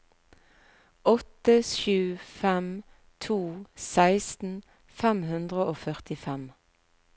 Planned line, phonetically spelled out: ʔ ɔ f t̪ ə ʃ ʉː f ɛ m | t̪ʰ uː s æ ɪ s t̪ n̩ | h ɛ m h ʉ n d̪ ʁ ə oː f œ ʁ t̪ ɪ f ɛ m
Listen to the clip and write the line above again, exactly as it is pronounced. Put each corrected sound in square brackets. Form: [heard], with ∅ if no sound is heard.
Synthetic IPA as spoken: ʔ ɔ [∅] t̪ ə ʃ ʉː f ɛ m | t̪ʰ uː s æ ɪ s t̪ n̩ | [f] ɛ m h ʉ n d̪ ʁ ə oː f œ ʁ t̪ ɪ f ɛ m

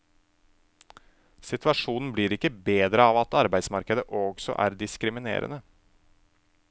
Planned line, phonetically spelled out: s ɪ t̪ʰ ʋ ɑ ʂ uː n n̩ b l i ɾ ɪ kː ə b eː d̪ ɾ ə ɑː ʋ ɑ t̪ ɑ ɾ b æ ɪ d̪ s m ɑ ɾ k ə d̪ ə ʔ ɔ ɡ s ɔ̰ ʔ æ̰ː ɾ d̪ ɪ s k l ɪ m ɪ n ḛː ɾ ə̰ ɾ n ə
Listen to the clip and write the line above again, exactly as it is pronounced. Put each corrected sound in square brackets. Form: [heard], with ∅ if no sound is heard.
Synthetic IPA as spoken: s ɪ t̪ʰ ʋ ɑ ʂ uː n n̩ b l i ɾ ɪ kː ə b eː d̪ ɾ ə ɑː ʋ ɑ t̪ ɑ ɾ b æ ɪ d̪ s m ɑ ɾ k ə d̪ ə ʔ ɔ ɡ s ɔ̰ ʔ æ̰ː ɾ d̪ ɪ s k [ɾ] ɪ m ɪ n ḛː ɾ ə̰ [∅] n ə

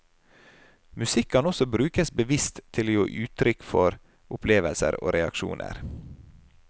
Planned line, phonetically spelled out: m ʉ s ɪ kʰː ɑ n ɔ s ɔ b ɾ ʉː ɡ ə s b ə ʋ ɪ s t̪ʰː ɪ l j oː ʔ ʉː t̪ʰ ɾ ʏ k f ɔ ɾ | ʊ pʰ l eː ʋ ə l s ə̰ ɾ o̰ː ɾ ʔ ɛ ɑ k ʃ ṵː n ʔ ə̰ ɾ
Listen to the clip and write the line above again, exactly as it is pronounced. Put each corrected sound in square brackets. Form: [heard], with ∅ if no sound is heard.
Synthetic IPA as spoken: m ʉ s ɪ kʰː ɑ n ɔ s ɔ b ɾ ʉː [k] ə s b ə ʋ ɪ s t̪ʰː ɪ l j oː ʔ ʉː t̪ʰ ɾ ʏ k f ɔ ɾ | ʊ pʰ l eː ʋ ə l s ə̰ ɾ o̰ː ɾ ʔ ɛ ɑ k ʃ ṵː n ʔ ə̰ ɾ

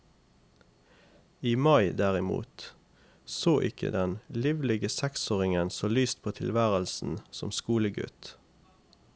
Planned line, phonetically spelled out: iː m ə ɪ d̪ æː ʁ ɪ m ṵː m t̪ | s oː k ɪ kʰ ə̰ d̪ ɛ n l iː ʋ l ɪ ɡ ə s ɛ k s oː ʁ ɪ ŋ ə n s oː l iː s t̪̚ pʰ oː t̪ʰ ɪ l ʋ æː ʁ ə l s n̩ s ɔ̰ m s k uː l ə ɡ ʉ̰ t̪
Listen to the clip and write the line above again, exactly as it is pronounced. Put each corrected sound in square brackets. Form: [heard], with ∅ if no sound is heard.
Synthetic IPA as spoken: iː m [ɑ] ɪ d̪ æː ʁ ɪ m ṵː [∅] t̪ | s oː [ʔ] ɪ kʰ ə̰ d̪ ɛ n l iː ʋ l ɪ ɡ ə s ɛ k s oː ʁ ɪ ŋ ə n s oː l [yː] s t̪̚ pʰ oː t̪ʰ ɪ l ʋ æː ʁ ə l s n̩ s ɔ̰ m s k uː l ə ɡ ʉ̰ t̪

